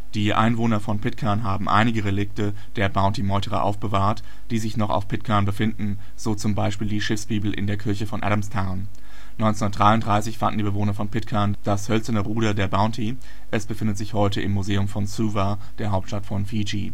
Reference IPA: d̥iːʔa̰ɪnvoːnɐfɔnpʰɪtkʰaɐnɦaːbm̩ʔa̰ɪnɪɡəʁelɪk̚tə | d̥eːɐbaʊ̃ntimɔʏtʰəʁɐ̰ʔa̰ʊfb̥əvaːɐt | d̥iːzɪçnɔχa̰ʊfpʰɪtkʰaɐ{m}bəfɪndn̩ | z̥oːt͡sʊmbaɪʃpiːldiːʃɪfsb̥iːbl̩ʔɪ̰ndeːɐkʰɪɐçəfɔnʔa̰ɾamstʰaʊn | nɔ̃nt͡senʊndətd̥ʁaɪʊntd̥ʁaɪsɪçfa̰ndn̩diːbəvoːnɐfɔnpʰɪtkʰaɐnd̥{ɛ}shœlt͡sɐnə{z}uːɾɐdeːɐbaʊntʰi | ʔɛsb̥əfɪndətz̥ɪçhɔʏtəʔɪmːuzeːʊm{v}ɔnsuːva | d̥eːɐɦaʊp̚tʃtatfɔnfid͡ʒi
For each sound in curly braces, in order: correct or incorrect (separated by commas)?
incorrect, incorrect, incorrect, incorrect